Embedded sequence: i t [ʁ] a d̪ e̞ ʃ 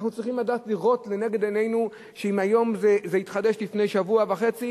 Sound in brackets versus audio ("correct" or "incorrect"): incorrect